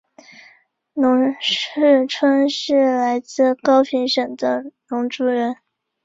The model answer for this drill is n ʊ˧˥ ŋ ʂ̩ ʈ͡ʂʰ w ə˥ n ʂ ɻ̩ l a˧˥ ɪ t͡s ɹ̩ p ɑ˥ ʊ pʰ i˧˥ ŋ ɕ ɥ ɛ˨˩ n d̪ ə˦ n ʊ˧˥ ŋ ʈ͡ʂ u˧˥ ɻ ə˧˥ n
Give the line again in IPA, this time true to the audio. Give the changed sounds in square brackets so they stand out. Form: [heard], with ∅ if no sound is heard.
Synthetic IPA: n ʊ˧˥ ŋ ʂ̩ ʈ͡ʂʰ w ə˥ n ʂ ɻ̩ l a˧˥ ɪ t͡s ɹ̩ [k] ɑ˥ ʊ pʰ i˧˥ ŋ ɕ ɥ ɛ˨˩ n d̪ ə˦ n ʊ˧˥ ŋ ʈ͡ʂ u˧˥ ɻ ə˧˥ n